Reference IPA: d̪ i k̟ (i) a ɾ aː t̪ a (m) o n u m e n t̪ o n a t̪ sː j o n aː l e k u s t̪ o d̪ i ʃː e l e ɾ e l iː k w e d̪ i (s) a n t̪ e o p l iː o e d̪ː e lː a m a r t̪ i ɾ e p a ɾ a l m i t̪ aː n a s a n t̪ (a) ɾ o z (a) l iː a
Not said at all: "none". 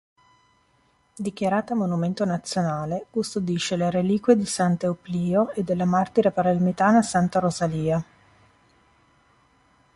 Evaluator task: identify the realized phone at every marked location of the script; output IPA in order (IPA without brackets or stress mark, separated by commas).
j, m, s, a, a